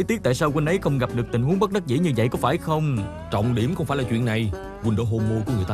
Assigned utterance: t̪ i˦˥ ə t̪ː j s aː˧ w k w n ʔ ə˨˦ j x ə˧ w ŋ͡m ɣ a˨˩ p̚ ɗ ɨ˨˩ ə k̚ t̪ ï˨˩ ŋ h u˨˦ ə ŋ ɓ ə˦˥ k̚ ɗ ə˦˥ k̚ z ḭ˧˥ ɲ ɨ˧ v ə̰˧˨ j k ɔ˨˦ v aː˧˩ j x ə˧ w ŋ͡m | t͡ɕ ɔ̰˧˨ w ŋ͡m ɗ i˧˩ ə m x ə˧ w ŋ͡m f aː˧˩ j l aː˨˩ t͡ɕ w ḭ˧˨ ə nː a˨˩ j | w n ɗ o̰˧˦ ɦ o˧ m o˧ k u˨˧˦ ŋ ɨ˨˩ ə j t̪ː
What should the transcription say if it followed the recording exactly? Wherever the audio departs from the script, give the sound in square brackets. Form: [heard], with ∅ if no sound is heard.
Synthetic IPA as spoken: t̪ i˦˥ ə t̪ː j s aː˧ w k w n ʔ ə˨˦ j x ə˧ w ŋ͡m ɣ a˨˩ p̚ ɗ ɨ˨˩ ə k̚ t̪ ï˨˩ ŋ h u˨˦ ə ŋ ɓ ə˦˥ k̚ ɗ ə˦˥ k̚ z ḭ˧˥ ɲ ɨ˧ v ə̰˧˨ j k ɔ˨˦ [f] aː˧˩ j x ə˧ w ŋ͡m | t͡ɕ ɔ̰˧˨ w ŋ͡m ɗ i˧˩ ə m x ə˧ w ŋ͡m f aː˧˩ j l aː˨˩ t͡ɕ w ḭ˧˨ ə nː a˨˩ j | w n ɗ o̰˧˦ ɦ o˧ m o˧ k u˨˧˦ ŋ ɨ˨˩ ə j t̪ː